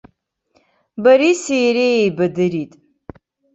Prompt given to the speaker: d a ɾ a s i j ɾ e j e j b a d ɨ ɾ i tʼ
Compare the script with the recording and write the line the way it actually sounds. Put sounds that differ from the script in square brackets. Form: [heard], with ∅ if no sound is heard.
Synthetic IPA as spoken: [b] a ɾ [i] s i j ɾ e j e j b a d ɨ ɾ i tʼ